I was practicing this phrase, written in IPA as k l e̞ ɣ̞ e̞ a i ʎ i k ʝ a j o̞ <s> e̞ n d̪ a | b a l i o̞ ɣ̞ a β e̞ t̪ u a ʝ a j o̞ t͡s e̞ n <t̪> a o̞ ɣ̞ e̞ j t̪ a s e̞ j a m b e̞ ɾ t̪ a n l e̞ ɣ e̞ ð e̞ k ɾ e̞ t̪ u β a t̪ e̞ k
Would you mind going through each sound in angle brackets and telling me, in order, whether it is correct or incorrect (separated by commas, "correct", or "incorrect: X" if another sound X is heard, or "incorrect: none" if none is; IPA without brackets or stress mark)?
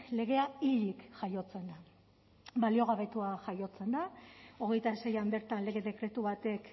incorrect: t͡s, incorrect: d̪